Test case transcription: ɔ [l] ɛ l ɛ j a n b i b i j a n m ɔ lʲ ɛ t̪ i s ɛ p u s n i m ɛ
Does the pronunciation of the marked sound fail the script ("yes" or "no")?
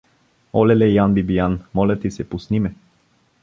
no